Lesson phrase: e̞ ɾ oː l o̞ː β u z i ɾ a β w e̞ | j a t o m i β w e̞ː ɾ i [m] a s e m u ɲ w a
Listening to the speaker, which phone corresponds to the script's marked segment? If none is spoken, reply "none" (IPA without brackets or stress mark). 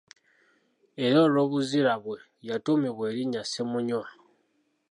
ɲ